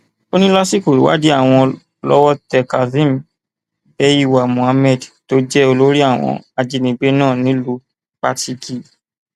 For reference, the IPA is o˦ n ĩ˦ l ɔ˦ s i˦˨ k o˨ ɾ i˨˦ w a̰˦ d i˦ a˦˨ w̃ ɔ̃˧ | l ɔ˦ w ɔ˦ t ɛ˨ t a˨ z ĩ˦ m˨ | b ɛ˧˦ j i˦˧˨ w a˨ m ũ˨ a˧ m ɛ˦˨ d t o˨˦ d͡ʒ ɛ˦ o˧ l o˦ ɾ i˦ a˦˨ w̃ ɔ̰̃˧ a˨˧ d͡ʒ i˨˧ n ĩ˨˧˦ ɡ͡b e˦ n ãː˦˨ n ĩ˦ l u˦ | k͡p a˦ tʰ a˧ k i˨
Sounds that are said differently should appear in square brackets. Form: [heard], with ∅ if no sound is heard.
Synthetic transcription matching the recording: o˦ n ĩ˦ l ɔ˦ s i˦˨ k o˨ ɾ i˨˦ w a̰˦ d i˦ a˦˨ w̃ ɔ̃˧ | l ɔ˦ w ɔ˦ t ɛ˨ [k] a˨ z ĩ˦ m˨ | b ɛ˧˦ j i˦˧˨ w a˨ m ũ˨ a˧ m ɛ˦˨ d t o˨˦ d͡ʒ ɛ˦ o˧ l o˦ ɾ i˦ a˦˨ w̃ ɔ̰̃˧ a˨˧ d͡ʒ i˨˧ n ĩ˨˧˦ ɡ͡b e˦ n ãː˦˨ n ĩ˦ l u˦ | k͡p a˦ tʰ [i˧] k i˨